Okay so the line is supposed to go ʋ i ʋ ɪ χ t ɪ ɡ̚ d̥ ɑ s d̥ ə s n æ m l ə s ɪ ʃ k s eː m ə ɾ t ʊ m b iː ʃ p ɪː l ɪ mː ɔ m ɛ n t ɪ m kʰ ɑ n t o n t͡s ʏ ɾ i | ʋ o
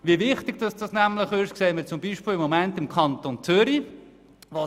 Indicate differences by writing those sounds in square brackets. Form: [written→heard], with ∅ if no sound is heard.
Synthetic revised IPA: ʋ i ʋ ɪ χ t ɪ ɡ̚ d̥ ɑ s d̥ [ə→ɑ] s n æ m l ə [s→χ] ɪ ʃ k s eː m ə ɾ [t→t͡s] ʊ m b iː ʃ p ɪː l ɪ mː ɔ m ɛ n t ɪ m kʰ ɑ n t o n t͡s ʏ ɾ i | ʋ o